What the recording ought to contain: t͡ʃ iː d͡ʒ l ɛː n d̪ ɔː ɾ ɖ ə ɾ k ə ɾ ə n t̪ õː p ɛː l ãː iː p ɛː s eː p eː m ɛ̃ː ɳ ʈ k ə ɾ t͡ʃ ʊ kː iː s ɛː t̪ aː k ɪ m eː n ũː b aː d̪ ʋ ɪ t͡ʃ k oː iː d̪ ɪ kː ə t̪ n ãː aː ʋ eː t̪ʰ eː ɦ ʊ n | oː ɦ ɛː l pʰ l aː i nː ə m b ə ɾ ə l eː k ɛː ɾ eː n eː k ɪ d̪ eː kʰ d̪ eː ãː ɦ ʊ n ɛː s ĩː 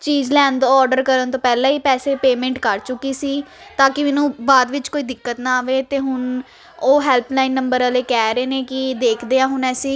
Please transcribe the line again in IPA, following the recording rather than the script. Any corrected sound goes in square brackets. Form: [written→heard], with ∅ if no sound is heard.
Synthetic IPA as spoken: t͡ʃ iː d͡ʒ l ɛː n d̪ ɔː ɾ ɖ ə ɾ k ə ɾ ə n t̪ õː p ɛː l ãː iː p ɛː s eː p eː m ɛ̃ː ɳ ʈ k ə ɾ t͡ʃ ʊ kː iː s [ɛː→iː] t̪ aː k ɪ m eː n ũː b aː d̪ ʋ ɪ t͡ʃ k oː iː d̪ ɪ kː ə t̪ n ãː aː ʋ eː [t̪ʰ→t̪] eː ɦ ʊ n | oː ɦ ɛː l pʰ l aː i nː ə m b ə ɾ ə l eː k ɛː ɾ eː n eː k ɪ d̪ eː kʰ d̪ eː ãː ɦ ʊ n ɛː s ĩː